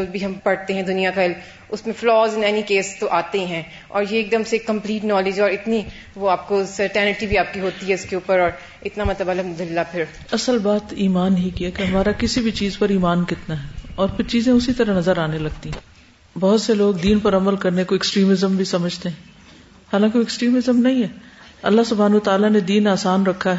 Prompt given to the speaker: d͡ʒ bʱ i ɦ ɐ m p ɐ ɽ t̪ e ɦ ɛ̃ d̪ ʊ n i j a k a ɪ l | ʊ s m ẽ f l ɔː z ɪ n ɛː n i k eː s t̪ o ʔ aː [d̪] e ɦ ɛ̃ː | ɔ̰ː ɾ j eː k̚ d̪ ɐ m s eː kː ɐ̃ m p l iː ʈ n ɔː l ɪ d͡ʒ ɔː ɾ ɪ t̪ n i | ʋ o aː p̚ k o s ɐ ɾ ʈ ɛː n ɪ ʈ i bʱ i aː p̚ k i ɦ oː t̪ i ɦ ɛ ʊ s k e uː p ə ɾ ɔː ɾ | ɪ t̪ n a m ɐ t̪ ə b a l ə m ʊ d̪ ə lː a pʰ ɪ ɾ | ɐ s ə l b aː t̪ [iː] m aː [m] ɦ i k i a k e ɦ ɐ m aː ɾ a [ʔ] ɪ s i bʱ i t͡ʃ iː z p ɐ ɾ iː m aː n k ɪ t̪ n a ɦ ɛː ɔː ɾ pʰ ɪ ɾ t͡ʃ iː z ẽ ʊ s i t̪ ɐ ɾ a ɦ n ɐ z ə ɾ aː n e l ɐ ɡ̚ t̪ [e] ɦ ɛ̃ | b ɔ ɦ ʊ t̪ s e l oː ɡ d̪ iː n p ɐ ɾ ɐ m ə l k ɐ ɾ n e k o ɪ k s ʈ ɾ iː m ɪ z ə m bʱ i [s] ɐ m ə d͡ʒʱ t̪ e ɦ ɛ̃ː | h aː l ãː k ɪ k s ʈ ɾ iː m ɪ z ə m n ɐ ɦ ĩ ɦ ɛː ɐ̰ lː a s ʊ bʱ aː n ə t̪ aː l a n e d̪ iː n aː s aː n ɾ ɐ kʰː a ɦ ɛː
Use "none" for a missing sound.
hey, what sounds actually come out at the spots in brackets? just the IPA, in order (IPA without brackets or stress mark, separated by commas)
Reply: t̪, iː, n, k, i, s